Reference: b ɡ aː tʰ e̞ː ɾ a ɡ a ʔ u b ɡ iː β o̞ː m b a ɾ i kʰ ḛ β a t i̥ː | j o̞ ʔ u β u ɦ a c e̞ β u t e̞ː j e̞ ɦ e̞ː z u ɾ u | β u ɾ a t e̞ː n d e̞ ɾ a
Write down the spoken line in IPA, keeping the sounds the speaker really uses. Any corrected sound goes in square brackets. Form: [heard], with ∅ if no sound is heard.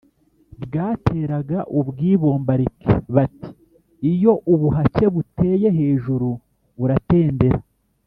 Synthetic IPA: b ɡ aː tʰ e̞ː ɾ a ɡ a ʔ u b ɡ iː β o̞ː m b a ɾ i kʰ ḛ β a t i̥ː | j o̞ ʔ u β u ɦ a c e̞ β u t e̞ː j e̞ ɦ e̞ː [ʒ] u ɾ u | β u ɾ a t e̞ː n d e̞ ɾ a